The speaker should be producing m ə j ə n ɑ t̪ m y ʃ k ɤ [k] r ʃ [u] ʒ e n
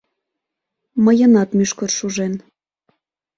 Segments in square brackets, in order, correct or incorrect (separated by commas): incorrect, correct